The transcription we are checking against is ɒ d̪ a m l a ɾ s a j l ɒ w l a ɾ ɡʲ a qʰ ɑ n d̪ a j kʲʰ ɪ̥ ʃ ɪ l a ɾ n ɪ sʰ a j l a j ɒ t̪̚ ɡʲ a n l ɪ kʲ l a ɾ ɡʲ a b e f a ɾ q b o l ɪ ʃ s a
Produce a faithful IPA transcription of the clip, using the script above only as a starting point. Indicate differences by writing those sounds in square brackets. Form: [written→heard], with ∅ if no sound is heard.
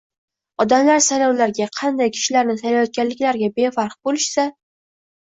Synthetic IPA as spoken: ɒ d̪ a m l a ɾ s a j l ɒ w l a ɾ ɡʲ a qʰ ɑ n d̪ a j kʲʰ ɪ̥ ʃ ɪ l a ɾ n ɪ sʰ a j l a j ɒ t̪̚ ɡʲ a n l ɪ kʲ l a ɾ ɡʲ a b e f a ɾ q b o l ɪ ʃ s a